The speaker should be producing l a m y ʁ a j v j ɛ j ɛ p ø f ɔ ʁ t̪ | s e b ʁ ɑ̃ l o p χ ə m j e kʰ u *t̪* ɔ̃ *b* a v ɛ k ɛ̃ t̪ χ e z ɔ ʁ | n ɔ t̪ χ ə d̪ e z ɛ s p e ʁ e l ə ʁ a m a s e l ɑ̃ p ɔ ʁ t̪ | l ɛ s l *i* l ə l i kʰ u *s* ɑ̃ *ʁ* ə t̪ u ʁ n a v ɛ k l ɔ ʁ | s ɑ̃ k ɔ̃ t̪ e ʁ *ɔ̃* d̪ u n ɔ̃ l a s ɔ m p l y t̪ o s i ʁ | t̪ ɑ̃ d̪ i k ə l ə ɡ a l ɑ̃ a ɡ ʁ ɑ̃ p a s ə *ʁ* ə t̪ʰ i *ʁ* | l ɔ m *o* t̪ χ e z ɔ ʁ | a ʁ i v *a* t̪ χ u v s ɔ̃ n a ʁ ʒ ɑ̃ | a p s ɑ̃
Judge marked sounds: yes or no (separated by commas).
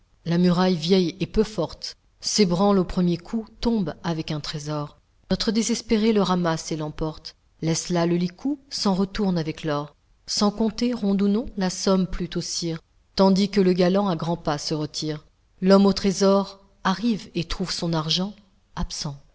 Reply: yes, yes, no, yes, yes, yes, yes, yes, yes, no